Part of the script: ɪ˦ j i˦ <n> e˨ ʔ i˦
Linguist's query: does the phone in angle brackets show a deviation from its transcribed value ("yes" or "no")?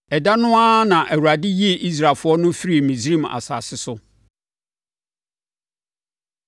yes